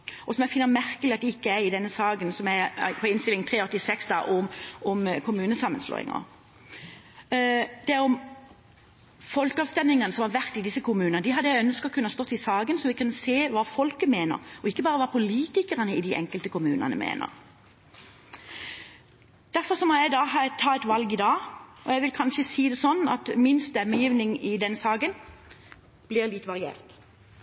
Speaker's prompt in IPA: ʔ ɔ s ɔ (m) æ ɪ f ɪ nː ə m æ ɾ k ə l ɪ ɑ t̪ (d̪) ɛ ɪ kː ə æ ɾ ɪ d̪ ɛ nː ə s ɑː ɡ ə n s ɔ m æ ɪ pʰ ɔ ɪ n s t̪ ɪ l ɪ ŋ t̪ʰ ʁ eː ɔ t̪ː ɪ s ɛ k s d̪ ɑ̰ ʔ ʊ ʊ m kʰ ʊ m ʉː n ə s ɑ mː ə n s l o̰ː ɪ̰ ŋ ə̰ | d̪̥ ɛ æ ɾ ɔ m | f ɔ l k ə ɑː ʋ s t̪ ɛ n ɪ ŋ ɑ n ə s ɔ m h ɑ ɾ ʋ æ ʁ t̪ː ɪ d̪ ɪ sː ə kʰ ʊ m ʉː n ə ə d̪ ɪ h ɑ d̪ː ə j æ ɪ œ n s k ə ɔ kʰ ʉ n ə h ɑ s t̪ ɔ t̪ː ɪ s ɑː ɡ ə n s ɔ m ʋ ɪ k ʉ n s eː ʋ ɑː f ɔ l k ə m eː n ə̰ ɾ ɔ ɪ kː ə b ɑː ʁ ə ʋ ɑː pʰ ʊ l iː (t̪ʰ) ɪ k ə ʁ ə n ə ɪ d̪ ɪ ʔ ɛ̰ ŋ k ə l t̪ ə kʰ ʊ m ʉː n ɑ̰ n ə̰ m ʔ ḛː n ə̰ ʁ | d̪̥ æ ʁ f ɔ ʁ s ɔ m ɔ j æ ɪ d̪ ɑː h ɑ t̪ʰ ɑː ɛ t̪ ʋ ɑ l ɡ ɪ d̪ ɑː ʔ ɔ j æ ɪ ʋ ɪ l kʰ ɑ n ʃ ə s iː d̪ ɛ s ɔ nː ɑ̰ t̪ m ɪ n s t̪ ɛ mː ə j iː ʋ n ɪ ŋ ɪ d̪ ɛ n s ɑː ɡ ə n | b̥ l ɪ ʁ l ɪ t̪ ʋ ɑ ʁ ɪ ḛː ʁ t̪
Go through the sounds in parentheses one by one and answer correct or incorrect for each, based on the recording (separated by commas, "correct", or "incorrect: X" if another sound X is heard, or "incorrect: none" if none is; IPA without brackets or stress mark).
correct, correct, incorrect: t̪